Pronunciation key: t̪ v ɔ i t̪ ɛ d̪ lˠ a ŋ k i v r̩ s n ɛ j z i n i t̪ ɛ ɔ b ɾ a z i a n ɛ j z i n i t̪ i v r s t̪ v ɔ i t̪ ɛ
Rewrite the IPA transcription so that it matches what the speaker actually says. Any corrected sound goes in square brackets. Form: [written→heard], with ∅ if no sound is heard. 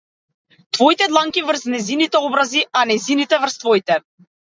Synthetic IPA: t̪ v ɔ i t̪ ɛ d̪ lˠ a ŋ k i v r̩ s n ɛ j z i n i t̪ ɛ ɔ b ɾ a z i a n ɛ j z i n i t̪ [i→ɛ] v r s t̪ v ɔ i t̪ ɛ